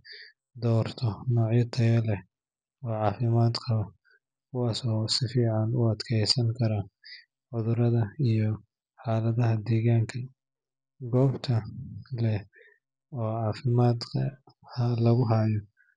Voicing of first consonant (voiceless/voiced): voiced